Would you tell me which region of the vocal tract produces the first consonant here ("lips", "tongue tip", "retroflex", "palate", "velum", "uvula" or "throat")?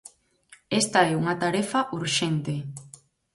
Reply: tongue tip